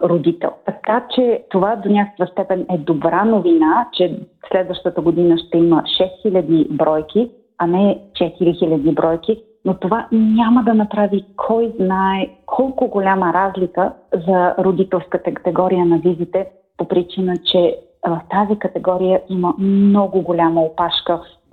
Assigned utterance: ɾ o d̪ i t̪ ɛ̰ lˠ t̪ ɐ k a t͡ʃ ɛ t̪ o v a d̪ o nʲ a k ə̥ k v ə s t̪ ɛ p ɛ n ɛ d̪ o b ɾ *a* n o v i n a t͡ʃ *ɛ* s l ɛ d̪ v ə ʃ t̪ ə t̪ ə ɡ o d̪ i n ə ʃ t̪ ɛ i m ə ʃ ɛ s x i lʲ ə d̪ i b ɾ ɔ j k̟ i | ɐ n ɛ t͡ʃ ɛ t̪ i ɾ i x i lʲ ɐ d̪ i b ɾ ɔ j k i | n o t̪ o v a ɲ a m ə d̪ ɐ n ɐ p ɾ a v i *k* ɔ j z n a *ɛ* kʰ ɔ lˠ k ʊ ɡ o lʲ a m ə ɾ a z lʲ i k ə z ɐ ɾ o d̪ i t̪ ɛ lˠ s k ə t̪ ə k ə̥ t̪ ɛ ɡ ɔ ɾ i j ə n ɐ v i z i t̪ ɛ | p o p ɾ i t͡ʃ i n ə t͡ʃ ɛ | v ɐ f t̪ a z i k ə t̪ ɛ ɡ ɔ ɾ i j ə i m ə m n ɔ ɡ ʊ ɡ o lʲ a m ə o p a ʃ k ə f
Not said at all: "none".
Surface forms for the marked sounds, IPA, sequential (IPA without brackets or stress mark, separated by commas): a, ɛ, kʰ, ɛ